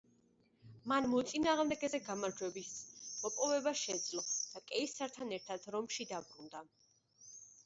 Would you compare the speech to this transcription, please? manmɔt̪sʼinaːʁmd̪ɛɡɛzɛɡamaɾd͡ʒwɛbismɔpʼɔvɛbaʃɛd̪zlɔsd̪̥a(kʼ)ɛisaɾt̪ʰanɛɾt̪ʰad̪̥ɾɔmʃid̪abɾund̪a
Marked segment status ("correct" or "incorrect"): correct